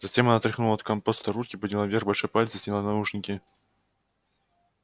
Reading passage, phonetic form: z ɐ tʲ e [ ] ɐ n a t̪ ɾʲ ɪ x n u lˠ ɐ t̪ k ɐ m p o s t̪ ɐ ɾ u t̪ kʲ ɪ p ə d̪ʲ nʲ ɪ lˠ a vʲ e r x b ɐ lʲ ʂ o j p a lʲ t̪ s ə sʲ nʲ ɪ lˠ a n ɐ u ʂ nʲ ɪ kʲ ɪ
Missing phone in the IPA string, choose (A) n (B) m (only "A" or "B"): B